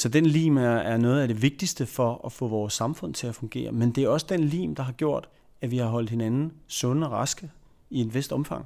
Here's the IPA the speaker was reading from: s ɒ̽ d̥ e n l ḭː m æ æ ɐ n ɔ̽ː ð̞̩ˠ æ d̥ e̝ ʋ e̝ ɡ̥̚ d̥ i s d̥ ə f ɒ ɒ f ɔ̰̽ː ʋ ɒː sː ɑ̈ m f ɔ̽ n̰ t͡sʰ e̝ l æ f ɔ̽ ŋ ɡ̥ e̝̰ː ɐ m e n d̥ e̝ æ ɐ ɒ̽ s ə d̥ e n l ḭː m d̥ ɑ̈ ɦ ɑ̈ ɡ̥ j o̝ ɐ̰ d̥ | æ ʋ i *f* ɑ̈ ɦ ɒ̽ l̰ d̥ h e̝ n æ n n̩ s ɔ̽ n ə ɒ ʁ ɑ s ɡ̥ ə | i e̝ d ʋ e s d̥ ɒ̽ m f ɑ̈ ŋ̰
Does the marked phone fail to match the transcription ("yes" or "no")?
yes